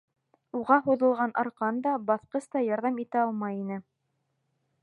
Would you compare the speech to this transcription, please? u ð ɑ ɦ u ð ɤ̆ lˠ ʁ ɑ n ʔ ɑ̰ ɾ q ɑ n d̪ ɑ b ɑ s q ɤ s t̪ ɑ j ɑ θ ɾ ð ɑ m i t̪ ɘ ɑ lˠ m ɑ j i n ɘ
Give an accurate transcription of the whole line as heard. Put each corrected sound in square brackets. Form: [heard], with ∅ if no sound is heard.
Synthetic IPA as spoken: u [ʁ] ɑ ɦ u ð ɤ̆ lˠ ʁ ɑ n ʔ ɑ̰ ɾ q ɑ n d̪ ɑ b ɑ [θ] q ɤ s t̪ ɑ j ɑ [∅] ɾ ð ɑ m i t̪ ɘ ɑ lˠ m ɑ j i n ɘ